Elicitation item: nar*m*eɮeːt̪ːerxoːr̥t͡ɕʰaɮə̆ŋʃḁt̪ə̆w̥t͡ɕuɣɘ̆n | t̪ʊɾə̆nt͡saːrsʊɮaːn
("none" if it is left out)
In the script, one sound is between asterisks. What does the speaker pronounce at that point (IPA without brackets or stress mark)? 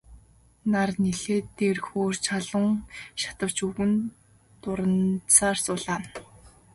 n